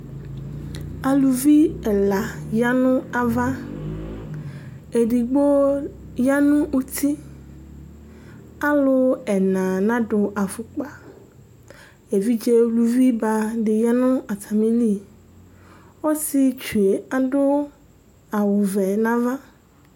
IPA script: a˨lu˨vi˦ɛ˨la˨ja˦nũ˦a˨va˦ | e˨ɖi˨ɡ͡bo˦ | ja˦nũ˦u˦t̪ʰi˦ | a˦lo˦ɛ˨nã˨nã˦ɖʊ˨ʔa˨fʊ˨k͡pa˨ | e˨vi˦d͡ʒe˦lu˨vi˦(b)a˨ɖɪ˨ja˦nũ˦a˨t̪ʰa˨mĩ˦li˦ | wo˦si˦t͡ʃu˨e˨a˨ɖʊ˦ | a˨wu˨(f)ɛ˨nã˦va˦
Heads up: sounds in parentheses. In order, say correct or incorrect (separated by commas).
correct, incorrect